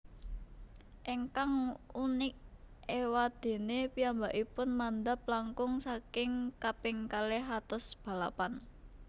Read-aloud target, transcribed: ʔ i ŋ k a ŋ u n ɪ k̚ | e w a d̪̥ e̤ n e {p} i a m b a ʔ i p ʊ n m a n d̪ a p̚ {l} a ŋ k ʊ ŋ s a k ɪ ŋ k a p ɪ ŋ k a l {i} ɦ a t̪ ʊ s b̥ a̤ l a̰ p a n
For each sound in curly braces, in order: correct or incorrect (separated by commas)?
correct, correct, incorrect